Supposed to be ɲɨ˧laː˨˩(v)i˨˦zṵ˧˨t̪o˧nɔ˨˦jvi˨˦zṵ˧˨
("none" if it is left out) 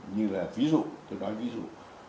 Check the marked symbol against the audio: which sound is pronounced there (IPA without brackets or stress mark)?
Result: v